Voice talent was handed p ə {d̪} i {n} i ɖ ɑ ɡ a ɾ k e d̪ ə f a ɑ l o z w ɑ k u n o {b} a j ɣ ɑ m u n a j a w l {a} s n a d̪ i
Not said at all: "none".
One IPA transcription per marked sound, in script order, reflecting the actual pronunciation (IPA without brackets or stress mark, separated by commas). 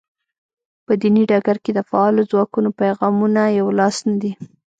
d̪, n, p, ɑ